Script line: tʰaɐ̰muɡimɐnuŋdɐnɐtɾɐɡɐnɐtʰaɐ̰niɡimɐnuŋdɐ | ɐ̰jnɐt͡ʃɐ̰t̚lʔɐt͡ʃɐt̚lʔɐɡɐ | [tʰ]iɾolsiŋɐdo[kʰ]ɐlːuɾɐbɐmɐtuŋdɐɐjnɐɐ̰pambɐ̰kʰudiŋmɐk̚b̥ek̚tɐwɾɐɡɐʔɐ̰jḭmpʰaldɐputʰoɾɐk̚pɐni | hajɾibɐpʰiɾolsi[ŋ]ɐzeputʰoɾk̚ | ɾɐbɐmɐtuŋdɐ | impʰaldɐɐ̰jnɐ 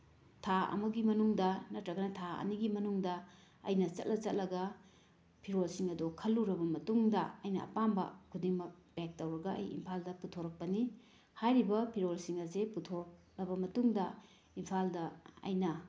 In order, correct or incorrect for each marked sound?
incorrect: pʰ, correct, correct

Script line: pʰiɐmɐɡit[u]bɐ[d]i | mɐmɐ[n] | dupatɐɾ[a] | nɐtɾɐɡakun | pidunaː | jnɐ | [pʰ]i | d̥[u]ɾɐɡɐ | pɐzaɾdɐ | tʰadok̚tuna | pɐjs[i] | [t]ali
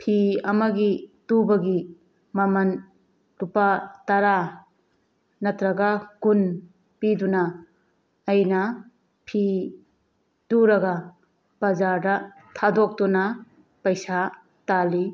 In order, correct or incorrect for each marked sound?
correct, incorrect: ɡ, correct, correct, correct, correct, incorrect: a, correct

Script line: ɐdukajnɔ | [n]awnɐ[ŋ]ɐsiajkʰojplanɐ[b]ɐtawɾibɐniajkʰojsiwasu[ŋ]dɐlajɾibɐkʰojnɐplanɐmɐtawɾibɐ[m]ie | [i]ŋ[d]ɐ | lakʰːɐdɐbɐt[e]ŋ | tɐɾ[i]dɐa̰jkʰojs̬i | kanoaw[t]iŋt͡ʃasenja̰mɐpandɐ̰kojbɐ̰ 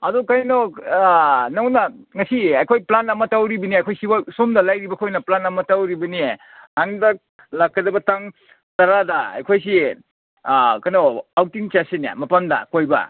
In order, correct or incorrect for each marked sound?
correct, correct, incorrect: m, incorrect: m, incorrect: n, incorrect: a, correct, incorrect: a, incorrect: a, correct

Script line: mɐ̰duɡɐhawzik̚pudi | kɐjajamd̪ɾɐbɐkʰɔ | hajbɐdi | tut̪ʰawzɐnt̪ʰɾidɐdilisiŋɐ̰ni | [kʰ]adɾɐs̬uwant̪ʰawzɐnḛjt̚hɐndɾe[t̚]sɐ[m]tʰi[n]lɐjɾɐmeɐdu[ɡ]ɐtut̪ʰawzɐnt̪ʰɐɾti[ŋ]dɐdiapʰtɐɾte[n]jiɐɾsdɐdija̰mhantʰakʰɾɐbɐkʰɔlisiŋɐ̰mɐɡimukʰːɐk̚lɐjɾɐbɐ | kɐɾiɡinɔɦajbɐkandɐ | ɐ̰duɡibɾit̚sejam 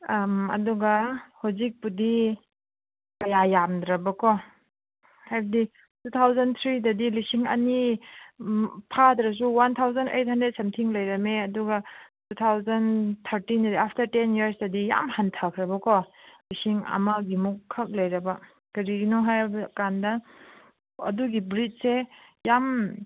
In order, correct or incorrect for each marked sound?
incorrect: pʰ, correct, correct, incorrect: ŋ, correct, incorrect: n, correct

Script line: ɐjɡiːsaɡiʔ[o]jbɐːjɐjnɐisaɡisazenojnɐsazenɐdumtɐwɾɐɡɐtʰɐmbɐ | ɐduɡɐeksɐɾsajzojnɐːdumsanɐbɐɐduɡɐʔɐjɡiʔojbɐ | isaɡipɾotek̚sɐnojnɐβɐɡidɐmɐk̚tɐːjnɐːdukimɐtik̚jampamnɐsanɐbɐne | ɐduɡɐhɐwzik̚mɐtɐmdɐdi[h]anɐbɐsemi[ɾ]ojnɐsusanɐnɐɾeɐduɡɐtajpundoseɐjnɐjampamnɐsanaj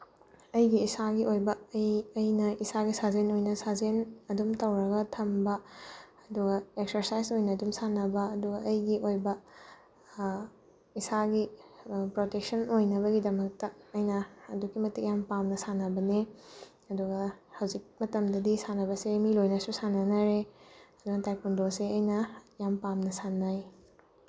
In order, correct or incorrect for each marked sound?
correct, incorrect: s, incorrect: l

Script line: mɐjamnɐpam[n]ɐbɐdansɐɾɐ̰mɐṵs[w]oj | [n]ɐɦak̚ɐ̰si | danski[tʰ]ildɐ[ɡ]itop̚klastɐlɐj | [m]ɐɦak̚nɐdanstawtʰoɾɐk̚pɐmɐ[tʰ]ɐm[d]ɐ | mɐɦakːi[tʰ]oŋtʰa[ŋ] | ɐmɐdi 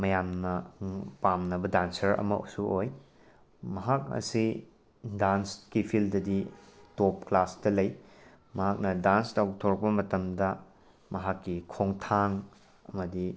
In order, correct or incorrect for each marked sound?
correct, incorrect: u, incorrect: m, incorrect: pʰ, incorrect: d, correct, incorrect: t, correct, incorrect: kʰ, correct

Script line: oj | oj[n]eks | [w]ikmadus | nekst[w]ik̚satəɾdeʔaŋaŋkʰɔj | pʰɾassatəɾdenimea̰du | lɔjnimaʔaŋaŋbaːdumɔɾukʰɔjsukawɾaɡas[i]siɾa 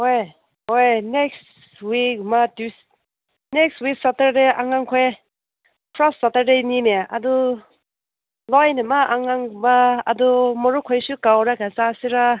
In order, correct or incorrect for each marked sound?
correct, correct, correct, incorrect: a

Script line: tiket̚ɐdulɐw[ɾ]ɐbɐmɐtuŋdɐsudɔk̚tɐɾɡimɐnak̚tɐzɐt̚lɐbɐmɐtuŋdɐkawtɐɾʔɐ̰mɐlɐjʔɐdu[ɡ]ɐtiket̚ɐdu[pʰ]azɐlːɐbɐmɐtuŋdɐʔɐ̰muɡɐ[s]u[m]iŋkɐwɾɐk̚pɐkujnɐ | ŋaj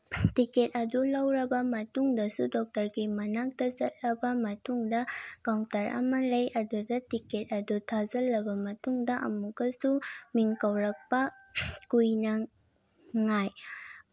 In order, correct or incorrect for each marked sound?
correct, incorrect: d, incorrect: tʰ, correct, correct

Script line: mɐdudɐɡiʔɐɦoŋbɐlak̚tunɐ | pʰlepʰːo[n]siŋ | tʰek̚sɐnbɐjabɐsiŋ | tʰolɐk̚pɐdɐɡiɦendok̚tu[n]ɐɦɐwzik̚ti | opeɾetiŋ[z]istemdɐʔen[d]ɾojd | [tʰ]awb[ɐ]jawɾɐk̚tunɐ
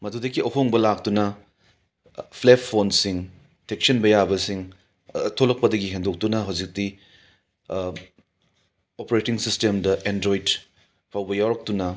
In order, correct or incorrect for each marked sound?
correct, correct, incorrect: s, correct, incorrect: pʰ, correct

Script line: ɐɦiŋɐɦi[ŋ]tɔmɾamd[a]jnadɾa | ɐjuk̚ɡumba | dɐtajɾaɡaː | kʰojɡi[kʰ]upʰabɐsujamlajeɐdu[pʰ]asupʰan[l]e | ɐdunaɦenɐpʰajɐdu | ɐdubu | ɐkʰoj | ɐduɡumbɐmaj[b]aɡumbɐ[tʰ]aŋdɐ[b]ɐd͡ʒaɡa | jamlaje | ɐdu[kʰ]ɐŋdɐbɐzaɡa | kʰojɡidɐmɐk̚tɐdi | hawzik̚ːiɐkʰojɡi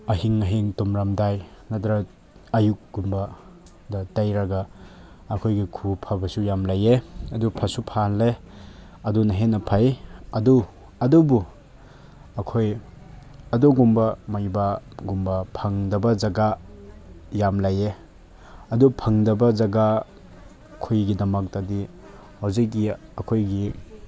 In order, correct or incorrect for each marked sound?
correct, correct, correct, correct, correct, correct, incorrect: pʰ, correct, incorrect: pʰ

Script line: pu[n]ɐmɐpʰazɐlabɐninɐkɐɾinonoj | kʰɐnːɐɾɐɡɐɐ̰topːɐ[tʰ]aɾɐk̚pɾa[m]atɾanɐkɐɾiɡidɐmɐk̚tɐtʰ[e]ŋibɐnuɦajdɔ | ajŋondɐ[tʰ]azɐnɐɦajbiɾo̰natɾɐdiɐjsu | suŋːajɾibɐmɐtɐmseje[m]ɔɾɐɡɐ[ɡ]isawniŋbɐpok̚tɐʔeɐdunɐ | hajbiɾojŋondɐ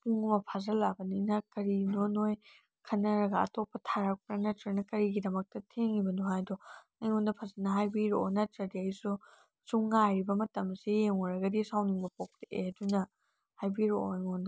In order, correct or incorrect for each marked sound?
incorrect: ŋ, correct, incorrect: n, correct, incorrect: pʰ, incorrect: ŋ, incorrect: d

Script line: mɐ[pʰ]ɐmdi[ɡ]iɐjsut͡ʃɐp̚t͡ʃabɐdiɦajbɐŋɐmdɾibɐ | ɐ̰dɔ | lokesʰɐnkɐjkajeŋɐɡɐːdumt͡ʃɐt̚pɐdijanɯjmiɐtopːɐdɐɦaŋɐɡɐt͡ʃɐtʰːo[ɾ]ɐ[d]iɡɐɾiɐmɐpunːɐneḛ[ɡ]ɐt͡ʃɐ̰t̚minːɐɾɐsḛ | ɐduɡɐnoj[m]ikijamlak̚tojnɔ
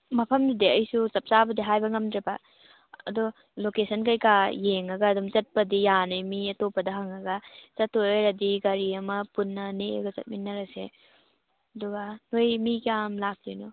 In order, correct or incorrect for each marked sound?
correct, incorrect: d, correct, correct, correct, correct

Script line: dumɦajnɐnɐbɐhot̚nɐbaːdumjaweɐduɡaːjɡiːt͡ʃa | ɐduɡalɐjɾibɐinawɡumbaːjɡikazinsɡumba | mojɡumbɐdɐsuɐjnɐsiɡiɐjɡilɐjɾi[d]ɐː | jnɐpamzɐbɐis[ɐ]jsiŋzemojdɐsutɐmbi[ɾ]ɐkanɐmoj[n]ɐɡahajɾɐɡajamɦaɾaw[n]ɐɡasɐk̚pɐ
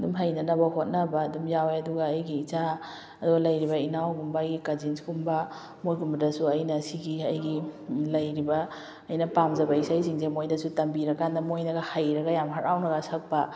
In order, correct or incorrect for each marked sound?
incorrect: b, incorrect: a, correct, correct, correct

